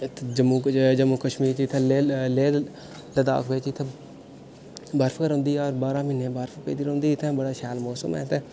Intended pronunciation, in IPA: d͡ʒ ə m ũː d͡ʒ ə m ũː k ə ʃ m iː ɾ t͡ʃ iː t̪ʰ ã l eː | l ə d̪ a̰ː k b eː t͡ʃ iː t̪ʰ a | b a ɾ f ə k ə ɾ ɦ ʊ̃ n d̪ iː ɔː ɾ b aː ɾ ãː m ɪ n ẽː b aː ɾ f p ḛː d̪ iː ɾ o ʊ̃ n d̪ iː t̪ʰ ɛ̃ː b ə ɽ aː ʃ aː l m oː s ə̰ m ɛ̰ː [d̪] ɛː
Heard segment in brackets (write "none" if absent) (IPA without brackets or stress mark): t̪